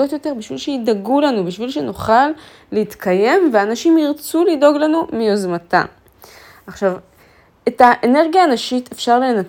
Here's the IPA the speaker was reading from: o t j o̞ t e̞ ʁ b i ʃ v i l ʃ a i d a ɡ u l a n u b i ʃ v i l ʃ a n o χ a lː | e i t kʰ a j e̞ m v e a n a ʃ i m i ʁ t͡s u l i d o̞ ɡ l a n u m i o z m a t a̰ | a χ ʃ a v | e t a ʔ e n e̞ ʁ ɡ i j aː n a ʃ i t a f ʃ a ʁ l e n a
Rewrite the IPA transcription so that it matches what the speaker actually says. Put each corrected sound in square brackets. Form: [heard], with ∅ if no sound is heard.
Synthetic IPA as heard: o t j o̞ t e̞ ʁ b i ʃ v i l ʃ [e] i d a ɡ u l a n u b i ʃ v i l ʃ [e] n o χ a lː | e i t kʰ a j e̞ m v e a n a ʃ i m i ʁ t͡s u l i d o̞ ɡ l a n u m i o z m a t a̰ | a χ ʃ a v | e t a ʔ e n e̞ ʁ ɡ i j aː n a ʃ i t [e] f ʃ a ʁ l e n a